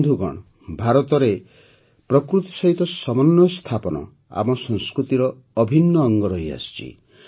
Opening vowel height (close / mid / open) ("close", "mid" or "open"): close